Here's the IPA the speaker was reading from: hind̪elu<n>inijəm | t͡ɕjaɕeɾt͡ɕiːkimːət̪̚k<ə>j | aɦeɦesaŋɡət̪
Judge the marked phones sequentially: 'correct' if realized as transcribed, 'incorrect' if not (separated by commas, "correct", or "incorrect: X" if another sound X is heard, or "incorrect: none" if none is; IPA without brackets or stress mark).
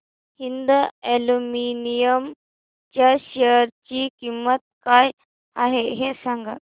incorrect: m, incorrect: a